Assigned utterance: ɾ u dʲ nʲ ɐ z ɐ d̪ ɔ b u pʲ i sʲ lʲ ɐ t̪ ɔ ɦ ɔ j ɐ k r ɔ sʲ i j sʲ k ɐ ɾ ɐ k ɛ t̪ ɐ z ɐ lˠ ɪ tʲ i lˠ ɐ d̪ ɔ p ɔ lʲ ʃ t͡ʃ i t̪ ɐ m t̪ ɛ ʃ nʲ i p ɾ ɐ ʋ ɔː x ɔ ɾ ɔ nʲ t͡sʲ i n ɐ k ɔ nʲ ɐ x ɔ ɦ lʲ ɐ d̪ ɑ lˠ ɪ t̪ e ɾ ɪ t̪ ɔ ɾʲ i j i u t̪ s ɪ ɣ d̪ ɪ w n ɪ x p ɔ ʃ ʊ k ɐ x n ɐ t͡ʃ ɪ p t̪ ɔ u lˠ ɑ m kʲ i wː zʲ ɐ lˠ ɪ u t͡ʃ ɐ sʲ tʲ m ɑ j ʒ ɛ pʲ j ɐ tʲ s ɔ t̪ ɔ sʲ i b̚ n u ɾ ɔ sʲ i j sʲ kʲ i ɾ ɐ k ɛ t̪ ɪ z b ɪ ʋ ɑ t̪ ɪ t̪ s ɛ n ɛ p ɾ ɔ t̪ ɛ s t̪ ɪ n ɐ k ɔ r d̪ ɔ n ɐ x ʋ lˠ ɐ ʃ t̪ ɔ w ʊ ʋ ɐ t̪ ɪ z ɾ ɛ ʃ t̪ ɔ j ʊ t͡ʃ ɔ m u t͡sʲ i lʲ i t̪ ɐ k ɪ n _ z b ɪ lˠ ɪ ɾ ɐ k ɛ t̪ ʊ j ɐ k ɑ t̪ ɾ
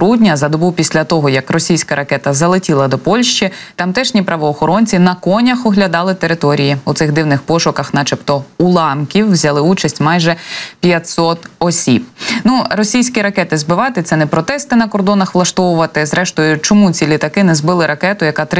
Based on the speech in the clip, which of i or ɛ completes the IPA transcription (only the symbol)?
ɛ